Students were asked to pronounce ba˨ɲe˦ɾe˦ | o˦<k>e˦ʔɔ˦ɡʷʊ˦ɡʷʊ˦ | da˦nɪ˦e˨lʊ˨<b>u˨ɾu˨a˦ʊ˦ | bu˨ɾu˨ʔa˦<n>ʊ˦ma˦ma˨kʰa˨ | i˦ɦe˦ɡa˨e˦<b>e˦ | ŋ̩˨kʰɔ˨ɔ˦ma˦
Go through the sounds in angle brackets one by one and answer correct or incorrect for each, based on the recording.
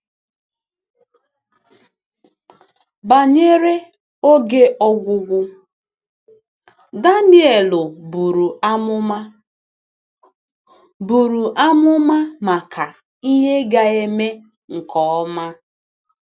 incorrect: ɡ, correct, incorrect: m, incorrect: m

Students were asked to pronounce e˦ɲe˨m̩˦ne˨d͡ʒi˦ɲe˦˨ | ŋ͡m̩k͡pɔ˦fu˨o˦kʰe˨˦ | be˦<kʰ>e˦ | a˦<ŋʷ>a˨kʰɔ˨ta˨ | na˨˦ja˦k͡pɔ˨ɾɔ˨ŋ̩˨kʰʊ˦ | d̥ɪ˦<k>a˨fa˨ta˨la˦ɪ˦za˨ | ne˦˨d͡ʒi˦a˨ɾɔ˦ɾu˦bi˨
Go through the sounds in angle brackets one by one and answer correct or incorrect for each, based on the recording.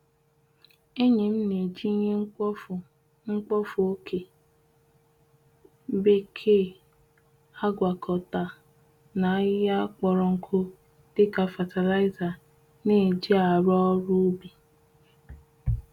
correct, incorrect: ɡʷ, correct

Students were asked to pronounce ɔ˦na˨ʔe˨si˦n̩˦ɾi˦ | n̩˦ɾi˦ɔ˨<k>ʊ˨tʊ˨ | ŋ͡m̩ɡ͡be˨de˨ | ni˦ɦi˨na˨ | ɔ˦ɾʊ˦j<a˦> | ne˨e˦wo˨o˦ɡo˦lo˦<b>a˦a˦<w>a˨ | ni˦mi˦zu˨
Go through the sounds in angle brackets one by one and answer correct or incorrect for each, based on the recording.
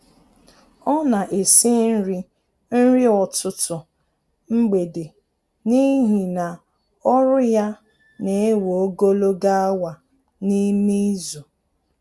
incorrect: t, correct, incorrect: ɡ, correct

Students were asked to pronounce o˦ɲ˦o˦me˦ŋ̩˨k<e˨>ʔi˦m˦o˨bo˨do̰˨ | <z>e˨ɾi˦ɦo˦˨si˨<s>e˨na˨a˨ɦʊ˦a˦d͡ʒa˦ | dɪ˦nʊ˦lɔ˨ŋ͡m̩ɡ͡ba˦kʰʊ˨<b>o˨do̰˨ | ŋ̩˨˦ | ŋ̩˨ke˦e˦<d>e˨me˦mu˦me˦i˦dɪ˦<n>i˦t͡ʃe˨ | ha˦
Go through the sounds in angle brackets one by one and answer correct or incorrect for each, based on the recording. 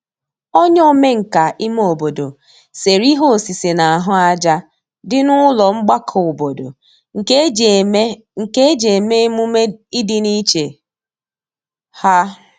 incorrect: a˨, incorrect: s, correct, correct, incorrect: d͡ʒ, correct

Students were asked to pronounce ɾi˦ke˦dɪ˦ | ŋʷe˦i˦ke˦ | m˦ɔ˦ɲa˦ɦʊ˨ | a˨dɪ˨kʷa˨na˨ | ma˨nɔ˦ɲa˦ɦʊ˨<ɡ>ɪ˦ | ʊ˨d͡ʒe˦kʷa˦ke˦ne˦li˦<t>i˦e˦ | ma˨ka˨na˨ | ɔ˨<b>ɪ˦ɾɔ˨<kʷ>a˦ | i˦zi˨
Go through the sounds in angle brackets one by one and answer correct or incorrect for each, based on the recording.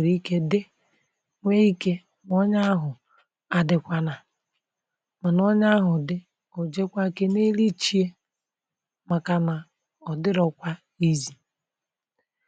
incorrect: d, incorrect: t͡ʃ, incorrect: d, correct

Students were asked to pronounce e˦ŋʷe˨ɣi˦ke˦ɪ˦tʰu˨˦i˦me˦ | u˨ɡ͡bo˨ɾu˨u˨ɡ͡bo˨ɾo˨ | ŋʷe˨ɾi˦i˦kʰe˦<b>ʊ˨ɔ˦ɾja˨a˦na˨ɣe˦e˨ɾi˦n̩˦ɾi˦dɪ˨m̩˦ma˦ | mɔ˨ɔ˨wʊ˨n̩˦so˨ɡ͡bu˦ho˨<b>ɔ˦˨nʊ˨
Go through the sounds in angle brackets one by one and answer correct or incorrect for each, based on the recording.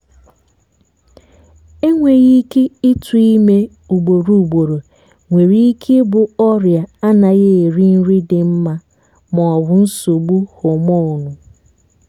correct, incorrect: m

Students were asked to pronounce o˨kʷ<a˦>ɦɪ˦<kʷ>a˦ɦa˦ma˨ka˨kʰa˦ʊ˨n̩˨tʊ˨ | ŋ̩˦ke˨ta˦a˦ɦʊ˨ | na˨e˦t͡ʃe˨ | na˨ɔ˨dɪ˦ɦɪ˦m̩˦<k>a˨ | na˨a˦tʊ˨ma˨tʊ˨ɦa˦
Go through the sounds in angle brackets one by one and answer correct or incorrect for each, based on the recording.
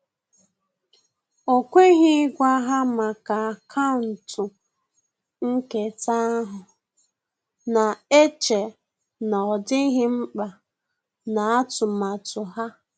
incorrect: e˦, incorrect: ɡʷ, incorrect: k͡p

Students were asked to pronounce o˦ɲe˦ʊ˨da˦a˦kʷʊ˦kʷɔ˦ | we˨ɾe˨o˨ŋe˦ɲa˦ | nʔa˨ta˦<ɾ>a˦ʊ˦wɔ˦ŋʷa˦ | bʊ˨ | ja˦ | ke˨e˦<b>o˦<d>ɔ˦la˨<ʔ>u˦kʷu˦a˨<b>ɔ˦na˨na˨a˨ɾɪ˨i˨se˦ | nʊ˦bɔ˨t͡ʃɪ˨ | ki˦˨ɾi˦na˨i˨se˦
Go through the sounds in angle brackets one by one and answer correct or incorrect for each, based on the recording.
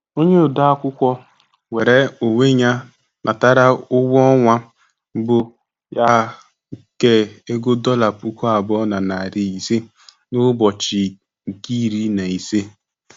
correct, incorrect: ɡ, correct, incorrect: p, correct

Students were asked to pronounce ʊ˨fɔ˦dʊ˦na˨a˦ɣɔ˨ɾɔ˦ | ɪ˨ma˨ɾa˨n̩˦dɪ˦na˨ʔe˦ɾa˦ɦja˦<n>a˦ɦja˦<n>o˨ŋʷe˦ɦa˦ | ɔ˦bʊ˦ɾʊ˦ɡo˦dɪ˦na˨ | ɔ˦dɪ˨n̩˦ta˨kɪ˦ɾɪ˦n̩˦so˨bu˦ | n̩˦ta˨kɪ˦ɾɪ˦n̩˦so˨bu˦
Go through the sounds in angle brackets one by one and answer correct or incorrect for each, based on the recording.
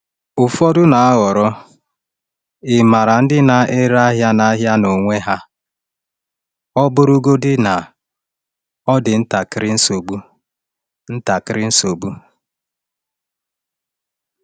correct, correct

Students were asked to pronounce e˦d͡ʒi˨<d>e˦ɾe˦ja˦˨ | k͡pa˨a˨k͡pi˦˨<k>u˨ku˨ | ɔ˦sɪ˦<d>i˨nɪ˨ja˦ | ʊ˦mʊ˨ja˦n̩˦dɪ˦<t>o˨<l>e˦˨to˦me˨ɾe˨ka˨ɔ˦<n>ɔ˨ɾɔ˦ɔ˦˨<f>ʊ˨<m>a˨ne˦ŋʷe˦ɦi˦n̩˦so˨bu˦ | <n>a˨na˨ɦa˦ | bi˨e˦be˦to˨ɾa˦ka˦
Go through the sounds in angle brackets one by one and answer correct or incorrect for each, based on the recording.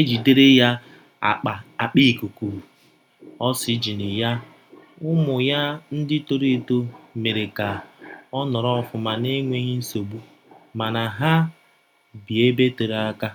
correct, correct, incorrect: d͡ʒ, correct, incorrect: ɾ, correct, correct, correct, incorrect: m

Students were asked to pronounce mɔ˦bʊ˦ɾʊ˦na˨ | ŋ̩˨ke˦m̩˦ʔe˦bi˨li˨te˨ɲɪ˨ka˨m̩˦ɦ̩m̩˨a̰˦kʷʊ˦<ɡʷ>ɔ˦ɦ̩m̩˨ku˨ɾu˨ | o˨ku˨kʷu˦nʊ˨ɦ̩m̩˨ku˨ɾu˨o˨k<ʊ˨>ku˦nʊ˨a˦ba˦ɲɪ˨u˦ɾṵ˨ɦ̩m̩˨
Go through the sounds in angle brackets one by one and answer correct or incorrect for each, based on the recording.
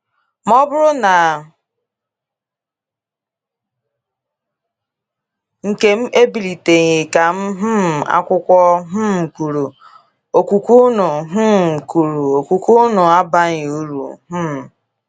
incorrect: kʷ, incorrect: u˨

